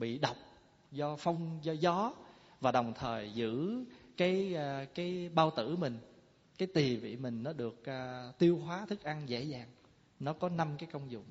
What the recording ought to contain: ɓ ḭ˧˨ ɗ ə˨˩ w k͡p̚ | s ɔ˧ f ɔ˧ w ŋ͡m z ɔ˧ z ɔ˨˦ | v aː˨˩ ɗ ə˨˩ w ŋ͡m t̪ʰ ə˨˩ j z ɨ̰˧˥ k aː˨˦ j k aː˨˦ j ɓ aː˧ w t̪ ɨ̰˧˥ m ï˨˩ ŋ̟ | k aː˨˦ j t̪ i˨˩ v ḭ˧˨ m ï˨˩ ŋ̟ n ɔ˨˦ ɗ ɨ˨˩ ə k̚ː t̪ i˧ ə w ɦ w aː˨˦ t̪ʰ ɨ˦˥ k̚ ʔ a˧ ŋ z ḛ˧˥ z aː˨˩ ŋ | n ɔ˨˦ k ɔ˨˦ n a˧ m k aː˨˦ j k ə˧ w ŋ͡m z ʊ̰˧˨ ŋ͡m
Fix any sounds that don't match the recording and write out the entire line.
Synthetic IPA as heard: ɓ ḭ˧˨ ɗ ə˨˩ w k͡p̚ | z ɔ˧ f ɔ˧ w ŋ͡m z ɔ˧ z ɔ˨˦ | v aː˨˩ ɗ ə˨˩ w ŋ͡m t̪ʰ əː˨˩ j z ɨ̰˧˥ k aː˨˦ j k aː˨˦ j ɓ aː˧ w t̪ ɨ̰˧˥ m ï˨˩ ŋ̟ | k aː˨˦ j t̪ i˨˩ v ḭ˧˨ m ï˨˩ ŋ̟ n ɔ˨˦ ɗ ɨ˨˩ ə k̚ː t̪ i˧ ə w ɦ w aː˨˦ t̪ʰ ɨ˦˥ k̚ ʔ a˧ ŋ z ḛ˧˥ z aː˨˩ ŋ | n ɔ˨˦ k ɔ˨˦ n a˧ m k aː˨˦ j k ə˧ w ŋ͡m z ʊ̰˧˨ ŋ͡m